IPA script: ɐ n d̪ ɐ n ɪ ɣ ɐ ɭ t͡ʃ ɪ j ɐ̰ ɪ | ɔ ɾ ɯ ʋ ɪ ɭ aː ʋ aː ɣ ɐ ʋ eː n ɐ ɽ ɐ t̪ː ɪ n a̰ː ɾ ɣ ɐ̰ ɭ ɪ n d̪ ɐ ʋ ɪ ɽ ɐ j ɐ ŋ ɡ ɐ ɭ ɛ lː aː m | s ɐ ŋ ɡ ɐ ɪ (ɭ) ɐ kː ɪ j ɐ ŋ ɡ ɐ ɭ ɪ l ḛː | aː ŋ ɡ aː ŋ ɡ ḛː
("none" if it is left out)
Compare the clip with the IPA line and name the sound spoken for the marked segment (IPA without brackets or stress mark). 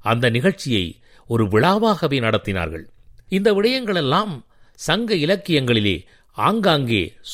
l